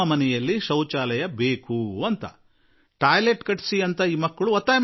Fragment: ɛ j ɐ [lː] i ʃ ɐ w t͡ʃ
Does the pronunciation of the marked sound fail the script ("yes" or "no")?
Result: no